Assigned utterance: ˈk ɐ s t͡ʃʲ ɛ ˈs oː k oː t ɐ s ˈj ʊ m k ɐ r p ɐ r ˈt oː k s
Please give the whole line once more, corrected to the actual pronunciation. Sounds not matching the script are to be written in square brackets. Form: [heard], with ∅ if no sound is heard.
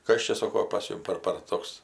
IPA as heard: ˈk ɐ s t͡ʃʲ ɛ ˈs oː k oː [p] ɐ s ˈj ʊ m [p] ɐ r p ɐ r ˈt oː k s